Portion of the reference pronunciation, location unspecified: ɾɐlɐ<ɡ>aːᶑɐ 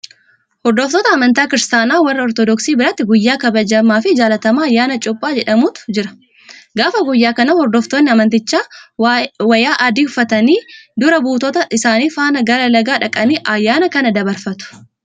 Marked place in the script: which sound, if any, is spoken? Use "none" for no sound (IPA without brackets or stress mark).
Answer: ɡ